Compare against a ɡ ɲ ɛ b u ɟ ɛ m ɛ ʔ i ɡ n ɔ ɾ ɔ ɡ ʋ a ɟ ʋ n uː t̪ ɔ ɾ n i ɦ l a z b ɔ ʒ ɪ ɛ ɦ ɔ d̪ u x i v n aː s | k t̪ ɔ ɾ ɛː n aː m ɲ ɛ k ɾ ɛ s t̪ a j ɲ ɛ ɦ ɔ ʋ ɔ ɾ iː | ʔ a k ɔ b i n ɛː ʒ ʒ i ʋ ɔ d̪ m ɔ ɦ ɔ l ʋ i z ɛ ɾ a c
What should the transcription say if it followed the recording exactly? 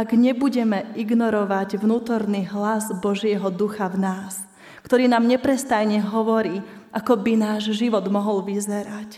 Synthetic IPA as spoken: a ɡ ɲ ɛ b u ɟ ɛ m ɛ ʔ i ɡ n ɔ ɾ ɔ ʋ a ɟ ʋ n uː t̪ ɔ ɾ n i ɦ l a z b ɔ ʒ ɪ ɛ ɦ ɔ d̪ u x a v n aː s | k t̪ ɔ ɾ iː n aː m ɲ ɛ p ɾ ɛ s t̪ a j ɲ ɛ ɦ ɔ ʋ ɔ ɾ iː | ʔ a k ɔ b i n aː ʒ ʒ i ʋ ɔ d̪ m ɔ ɦ ɔ l ʋ i z ɛ ɾ a c